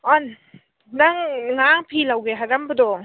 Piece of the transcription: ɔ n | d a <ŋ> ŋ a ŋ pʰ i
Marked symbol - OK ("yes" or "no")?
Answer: yes